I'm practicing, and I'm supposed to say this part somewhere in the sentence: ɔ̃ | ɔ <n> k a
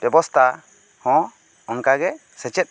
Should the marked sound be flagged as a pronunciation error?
yes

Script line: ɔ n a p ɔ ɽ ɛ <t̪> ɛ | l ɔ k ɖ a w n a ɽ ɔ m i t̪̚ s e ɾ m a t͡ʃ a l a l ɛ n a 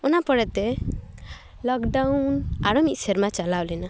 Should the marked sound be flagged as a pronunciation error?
no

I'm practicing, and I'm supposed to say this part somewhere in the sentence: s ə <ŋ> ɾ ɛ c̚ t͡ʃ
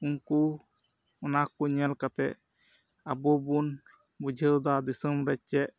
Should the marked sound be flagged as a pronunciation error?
yes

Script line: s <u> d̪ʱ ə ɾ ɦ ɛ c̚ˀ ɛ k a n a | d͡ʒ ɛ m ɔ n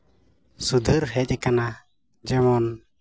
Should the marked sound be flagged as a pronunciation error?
no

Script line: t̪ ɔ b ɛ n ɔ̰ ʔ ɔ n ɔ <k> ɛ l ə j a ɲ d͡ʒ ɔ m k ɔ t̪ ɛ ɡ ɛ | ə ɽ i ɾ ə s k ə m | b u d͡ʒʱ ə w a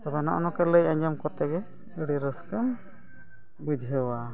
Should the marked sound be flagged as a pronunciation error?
no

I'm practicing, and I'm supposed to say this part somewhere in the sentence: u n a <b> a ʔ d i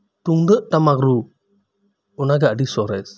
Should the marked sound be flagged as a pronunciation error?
yes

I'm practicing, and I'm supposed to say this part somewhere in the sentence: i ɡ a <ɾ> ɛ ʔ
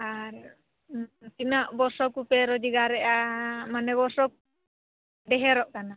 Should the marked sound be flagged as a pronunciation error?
no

